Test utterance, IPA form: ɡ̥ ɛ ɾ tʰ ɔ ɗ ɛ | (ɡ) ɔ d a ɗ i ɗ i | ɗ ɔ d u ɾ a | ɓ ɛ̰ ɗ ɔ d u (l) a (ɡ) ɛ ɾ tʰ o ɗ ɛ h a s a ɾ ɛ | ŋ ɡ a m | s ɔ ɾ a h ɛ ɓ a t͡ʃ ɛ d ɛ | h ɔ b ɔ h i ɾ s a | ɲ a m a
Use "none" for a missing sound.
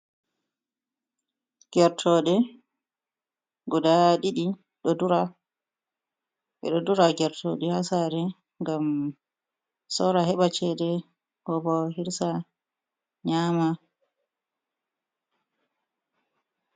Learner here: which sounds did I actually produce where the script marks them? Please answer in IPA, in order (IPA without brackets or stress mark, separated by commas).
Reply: ɡ, ɾ, ɡ